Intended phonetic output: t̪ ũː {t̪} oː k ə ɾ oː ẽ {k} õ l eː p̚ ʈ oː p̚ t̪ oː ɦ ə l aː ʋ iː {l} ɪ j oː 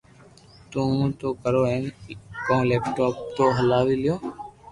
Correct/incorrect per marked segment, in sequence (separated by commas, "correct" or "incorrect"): correct, correct, correct